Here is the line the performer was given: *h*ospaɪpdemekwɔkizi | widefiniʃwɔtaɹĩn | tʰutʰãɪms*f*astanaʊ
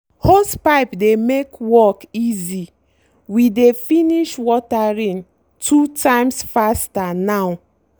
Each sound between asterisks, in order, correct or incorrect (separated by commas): correct, correct